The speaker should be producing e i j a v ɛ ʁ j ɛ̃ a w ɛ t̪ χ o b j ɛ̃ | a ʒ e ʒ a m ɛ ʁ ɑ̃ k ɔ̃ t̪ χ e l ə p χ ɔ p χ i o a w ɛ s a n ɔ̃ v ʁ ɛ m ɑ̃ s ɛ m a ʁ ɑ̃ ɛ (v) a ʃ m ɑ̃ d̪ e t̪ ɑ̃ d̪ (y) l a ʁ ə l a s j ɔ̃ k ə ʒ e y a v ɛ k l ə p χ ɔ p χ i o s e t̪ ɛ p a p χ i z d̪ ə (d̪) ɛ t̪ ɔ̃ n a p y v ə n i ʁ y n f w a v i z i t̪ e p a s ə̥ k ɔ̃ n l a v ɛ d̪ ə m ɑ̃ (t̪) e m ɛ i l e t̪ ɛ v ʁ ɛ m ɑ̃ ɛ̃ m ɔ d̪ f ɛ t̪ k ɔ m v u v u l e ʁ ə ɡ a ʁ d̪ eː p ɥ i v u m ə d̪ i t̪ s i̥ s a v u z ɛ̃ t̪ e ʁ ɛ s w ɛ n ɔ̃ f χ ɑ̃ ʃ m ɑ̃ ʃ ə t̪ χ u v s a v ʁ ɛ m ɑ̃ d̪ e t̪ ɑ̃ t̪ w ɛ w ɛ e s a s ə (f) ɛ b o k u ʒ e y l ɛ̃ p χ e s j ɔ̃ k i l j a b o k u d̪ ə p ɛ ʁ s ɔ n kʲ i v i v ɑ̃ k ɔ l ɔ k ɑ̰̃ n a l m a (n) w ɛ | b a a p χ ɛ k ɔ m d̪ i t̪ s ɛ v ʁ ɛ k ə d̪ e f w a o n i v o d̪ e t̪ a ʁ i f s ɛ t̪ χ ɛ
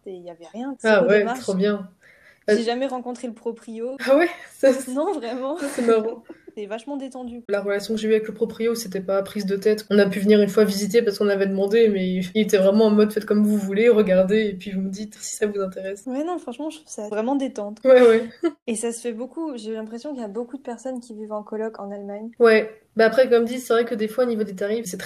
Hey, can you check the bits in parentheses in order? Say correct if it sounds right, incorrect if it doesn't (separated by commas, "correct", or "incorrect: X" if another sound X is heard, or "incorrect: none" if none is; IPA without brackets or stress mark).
correct, correct, incorrect: t̪, incorrect: d̪, correct, incorrect: ɲ